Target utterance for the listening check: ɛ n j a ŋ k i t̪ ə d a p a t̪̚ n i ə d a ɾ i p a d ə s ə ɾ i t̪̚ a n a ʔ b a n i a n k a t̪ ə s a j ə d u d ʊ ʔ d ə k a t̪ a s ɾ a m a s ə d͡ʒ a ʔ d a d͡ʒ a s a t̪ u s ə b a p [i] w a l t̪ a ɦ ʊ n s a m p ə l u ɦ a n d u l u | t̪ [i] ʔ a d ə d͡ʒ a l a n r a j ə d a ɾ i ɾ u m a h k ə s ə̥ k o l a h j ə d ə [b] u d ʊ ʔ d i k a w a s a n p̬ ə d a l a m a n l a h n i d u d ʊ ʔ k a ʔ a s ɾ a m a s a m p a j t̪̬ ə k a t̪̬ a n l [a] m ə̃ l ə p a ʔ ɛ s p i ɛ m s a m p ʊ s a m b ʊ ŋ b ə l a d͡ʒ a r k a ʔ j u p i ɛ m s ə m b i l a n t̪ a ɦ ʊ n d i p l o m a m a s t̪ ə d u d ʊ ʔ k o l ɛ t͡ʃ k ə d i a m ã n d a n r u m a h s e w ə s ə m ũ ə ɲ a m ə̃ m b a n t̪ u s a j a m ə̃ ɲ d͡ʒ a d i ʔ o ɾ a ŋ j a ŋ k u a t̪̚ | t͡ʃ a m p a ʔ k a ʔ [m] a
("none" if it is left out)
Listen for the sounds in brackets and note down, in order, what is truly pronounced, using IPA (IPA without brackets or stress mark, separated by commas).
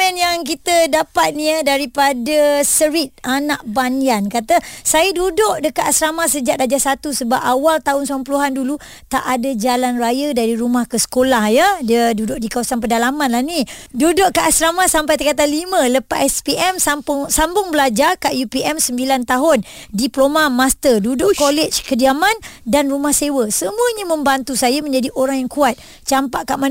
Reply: a, a, d, i, m